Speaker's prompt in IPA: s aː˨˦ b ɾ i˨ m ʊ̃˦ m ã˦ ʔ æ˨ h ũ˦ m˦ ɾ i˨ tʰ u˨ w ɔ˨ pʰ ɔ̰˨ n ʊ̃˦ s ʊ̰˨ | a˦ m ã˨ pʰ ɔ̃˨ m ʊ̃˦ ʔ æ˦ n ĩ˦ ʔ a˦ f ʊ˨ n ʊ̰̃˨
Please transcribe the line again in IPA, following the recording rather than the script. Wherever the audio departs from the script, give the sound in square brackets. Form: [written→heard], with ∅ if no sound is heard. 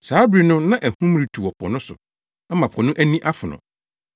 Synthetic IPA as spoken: s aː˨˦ b ɾ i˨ [m→n] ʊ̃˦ [m→n] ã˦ ʔ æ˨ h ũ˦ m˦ ɾ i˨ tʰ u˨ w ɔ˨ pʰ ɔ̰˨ n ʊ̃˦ s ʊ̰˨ | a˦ m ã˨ pʰ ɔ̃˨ [m→n] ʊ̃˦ ʔ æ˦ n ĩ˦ ʔ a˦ f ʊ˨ n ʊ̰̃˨